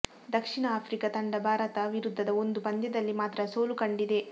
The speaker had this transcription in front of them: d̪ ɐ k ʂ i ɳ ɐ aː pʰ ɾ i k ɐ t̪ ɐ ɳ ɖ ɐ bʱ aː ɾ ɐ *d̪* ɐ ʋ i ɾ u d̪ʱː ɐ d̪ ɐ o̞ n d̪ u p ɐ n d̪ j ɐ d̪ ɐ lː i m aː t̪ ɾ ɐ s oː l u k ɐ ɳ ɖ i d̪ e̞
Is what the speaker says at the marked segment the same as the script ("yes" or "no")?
no